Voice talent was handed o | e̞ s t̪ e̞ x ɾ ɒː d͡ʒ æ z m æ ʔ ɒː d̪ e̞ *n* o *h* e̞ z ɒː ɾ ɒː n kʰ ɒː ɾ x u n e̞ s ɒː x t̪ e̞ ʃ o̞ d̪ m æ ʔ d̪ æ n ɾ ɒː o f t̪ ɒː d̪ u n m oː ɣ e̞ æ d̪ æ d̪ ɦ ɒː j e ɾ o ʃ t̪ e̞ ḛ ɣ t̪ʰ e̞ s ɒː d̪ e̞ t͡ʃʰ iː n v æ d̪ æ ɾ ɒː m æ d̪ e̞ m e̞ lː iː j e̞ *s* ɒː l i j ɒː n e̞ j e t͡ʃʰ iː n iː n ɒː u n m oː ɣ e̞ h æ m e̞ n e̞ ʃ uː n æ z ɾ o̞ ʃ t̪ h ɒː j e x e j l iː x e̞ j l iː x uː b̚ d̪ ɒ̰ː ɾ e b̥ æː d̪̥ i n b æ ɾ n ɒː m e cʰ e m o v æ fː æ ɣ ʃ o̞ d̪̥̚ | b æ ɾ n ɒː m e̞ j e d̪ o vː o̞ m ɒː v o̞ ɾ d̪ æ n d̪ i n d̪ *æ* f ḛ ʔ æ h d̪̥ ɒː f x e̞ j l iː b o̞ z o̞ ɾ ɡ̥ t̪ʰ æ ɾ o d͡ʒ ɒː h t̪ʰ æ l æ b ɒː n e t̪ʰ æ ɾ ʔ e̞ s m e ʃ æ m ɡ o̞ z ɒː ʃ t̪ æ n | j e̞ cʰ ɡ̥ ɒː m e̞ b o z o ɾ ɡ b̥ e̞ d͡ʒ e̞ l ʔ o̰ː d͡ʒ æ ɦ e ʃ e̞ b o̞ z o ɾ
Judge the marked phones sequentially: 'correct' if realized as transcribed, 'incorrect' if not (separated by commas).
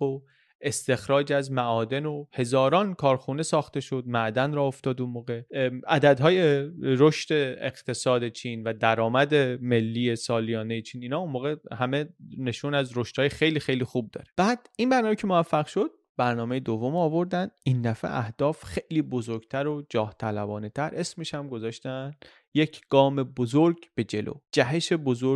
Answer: correct, correct, correct, correct